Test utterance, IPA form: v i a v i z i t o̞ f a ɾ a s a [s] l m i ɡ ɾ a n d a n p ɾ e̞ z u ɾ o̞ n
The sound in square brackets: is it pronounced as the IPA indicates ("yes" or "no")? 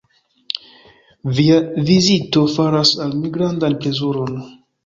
no